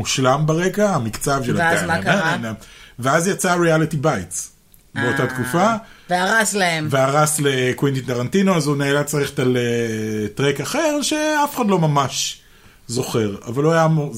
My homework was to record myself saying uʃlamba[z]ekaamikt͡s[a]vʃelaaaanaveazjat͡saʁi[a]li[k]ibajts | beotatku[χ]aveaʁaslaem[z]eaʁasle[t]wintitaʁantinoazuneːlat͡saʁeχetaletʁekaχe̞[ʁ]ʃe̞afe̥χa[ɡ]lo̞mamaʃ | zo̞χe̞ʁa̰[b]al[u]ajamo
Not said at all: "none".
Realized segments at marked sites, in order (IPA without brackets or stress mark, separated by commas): ʁ, a, a, t, f, v, k, ʁ, d, v, o